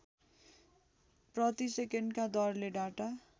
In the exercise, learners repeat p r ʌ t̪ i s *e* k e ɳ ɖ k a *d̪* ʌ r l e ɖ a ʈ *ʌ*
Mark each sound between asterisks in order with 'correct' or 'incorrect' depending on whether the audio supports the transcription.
correct, correct, incorrect: a

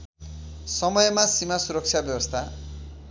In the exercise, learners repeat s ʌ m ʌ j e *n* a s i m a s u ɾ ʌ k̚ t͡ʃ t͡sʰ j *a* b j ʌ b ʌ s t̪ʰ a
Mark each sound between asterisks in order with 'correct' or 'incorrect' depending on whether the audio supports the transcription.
incorrect: m, correct

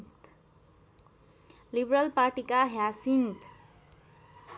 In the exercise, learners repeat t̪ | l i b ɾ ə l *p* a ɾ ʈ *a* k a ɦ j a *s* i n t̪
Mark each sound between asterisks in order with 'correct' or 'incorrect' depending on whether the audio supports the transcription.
correct, incorrect: i, correct

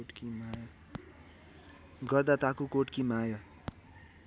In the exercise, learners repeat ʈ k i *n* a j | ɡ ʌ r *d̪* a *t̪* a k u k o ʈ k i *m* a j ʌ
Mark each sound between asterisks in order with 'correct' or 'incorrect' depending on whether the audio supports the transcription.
incorrect: m, correct, correct, correct

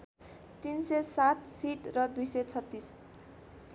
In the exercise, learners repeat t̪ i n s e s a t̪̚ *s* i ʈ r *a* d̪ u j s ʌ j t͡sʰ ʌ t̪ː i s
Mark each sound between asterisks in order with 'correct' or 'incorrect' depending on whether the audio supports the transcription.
correct, incorrect: ʌ

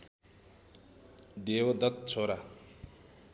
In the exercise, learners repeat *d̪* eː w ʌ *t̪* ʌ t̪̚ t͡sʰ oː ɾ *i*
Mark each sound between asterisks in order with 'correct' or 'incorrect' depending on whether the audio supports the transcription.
correct, incorrect: d̪, incorrect: a

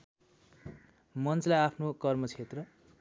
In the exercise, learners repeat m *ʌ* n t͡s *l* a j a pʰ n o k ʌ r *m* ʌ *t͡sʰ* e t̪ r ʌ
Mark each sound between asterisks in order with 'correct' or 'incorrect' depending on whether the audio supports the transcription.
correct, correct, correct, correct

